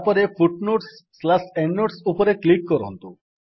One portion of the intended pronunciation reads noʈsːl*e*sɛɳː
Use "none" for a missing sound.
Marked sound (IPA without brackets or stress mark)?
a